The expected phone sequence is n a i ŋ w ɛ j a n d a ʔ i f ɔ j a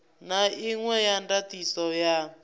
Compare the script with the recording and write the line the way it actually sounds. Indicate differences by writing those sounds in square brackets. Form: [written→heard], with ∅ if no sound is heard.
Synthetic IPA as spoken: n a i ŋ w ɛ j a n d a [ʔ→t] i [f→s] ɔ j a